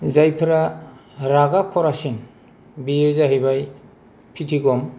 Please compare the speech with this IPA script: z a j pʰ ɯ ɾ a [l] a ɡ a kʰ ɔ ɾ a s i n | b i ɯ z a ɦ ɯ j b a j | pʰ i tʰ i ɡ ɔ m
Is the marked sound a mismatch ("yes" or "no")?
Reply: yes